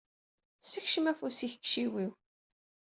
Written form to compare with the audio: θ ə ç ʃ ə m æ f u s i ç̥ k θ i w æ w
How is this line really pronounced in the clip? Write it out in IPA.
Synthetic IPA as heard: s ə ç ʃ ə m æ f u s i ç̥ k ʃ i w i w